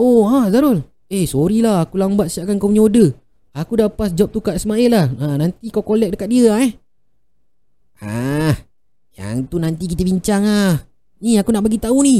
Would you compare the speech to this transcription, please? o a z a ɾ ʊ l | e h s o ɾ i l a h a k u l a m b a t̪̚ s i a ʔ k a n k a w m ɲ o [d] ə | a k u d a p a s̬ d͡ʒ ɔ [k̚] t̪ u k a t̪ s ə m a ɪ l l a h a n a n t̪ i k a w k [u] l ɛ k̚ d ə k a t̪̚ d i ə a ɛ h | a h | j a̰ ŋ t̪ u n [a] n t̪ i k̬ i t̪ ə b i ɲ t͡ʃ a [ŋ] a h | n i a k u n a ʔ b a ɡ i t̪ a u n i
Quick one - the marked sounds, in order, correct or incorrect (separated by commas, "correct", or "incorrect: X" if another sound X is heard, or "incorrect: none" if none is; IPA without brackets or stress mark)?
correct, incorrect: p̚, incorrect: o, correct, correct